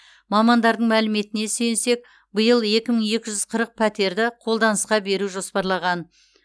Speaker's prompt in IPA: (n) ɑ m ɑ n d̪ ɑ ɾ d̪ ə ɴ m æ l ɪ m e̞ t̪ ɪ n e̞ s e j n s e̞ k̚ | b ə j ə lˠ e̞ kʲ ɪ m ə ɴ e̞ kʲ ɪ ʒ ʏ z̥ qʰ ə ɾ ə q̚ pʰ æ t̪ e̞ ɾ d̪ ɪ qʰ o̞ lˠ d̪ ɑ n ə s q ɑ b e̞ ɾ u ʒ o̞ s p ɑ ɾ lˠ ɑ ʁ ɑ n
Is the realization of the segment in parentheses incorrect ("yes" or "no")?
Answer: yes